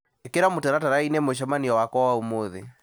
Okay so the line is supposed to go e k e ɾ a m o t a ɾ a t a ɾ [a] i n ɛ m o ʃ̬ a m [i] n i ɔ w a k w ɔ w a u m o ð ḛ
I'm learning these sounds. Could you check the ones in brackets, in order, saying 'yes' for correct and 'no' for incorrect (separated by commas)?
yes, no